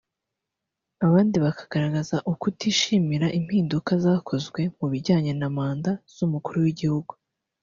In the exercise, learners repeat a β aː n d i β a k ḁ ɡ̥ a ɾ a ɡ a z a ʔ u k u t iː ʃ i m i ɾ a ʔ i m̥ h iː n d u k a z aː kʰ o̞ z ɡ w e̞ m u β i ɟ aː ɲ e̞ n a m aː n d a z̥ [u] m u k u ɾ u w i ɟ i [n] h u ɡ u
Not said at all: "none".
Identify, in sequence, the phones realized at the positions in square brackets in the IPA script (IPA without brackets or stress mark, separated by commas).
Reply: u, none